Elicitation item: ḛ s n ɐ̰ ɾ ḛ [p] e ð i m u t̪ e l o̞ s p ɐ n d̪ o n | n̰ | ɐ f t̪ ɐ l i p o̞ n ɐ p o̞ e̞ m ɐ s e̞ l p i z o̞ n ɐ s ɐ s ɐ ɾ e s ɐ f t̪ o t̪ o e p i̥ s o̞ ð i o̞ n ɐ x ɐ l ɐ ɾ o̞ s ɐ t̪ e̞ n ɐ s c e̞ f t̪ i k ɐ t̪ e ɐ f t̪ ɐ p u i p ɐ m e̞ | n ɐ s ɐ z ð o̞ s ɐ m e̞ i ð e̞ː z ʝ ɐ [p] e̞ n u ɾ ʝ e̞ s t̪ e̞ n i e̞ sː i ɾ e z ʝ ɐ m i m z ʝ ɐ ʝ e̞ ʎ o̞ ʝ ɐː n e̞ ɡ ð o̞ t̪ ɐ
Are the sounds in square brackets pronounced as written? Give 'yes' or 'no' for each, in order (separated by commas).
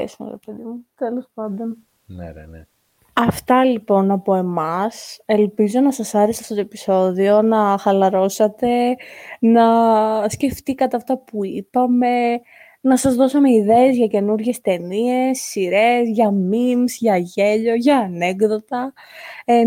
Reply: yes, no